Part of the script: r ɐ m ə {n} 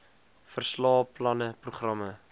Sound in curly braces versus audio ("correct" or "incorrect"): incorrect